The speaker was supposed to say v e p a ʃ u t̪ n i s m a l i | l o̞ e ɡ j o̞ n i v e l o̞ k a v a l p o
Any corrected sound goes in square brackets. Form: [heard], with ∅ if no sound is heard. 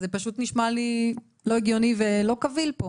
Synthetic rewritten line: [z] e p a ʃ u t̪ n i [ʃ] m a l i | l o̞ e ɡ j o̞ n i v e l o̞ k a v [i] l p o